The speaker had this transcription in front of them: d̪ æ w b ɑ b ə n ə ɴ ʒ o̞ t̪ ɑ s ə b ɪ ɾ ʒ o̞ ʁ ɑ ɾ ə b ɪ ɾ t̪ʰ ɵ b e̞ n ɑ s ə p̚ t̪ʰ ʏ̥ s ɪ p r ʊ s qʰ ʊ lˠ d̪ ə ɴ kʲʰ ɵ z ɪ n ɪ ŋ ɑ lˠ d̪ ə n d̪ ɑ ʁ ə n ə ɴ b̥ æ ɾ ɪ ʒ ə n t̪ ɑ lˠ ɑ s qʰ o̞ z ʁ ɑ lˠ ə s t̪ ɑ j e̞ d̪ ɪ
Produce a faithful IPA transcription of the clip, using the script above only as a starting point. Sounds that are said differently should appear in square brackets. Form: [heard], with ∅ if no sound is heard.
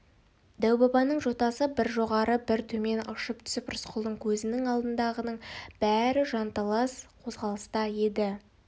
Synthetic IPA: d̪ æ w b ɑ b [ɑ] n ə ɴ ʒ o̞ t̪ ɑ s ə b ɪ ɾ ʒ o̞ ʁ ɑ ɾ ə b ɪ ɾ t̪ʰ ɵ [m] e̞ n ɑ [ʃ] ə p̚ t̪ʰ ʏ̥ s ɪ p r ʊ s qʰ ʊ lˠ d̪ ə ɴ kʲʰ ɵ z ɪ n ɪ ŋ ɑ lˠ d̪ ə n d̪ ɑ ʁ ə n ə ɴ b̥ æ ɾ ɪ ʒ [ɑ] n t̪ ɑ lˠ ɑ s qʰ o̞ z ʁ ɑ lˠ ə s t̪ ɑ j e̞ d̪ ɪ